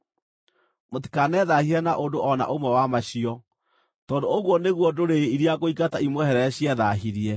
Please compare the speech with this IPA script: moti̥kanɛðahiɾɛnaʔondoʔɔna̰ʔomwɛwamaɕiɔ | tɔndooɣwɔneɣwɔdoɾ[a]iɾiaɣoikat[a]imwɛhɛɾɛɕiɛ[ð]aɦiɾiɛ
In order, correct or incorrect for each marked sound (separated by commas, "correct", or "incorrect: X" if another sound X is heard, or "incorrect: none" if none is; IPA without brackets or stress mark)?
incorrect: e, correct, correct